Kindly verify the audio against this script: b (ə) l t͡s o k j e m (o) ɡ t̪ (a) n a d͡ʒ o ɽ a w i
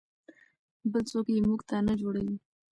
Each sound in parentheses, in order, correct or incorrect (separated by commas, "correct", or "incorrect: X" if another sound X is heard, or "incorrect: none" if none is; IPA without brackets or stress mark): correct, incorrect: u, correct